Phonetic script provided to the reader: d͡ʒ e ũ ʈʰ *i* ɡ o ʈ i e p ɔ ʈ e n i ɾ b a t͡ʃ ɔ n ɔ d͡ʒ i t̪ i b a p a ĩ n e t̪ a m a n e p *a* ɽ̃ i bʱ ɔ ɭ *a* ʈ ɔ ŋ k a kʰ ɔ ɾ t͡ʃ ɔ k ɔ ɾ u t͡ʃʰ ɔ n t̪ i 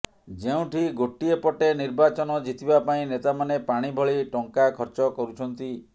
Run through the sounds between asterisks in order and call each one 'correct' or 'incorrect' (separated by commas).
correct, correct, incorrect